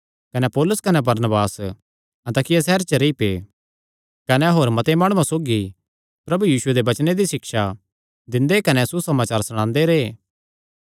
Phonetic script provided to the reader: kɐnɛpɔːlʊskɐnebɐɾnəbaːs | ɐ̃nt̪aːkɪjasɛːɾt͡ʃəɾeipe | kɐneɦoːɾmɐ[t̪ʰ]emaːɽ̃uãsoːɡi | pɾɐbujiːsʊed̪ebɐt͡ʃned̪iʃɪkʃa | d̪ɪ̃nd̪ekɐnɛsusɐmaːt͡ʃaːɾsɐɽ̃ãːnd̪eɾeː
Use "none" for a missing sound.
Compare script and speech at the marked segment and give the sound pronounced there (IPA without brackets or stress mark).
t̪